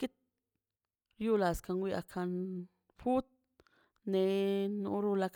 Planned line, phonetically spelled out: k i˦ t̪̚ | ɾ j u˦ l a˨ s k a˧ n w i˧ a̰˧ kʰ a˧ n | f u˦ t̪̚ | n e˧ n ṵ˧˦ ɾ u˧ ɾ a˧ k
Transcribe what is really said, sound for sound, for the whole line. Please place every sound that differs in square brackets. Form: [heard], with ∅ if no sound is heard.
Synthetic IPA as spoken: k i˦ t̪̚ | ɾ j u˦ l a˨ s k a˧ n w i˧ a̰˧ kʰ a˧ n | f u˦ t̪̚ | n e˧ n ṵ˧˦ ɾ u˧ [l] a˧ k